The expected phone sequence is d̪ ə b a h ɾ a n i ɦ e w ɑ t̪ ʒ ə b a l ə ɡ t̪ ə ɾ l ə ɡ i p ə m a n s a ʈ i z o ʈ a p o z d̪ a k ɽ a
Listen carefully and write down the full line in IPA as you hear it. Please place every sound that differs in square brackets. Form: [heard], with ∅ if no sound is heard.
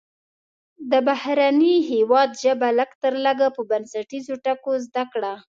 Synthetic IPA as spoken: d̪ ə b a h ɾ a n i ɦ e w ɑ [d̪] ʒ ə b a l ə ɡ t̪ ə ɾ l ə ɡ [a] p ə [b] a n s a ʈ i z o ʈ a [k] o z d̪ a k ɽ a